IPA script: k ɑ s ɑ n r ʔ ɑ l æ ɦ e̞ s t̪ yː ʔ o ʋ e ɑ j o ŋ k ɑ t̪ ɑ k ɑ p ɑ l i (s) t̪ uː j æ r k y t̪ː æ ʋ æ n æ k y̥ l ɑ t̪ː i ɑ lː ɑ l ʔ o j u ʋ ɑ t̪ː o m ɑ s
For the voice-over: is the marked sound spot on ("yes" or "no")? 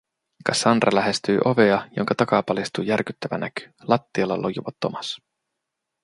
yes